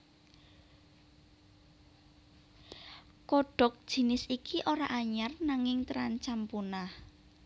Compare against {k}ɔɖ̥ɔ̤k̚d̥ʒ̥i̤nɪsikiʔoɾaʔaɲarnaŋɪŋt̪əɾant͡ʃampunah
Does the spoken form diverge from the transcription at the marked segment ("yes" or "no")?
no